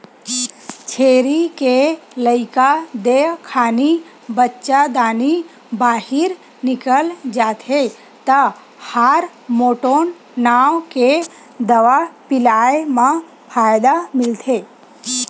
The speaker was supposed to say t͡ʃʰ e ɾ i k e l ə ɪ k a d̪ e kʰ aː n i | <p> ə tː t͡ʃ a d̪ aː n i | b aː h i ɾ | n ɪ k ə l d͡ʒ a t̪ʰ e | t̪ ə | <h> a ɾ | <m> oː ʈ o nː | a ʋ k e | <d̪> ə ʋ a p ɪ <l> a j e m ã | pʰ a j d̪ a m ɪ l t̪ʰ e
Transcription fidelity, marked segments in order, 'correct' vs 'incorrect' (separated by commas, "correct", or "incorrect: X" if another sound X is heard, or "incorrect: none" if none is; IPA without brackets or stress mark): incorrect: b, correct, correct, correct, correct